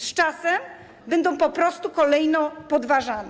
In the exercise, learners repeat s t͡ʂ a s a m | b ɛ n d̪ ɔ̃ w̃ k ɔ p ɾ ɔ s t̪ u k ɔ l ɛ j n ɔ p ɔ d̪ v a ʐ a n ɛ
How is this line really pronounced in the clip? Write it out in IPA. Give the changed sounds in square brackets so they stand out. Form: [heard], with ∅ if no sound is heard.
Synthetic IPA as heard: s t͡ʂ a s [ɛ] m | b ɛ n d̪ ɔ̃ w̃ [p] ɔ p ɾ ɔ s t̪ u k ɔ l ɛ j n ɔ p ɔ d̪ v a ʐ a n ɛ